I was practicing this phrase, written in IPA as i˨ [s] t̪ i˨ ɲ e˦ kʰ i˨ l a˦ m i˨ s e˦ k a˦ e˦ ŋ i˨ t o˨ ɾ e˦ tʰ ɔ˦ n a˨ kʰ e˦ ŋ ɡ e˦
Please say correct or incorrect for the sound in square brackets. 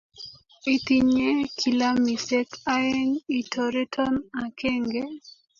incorrect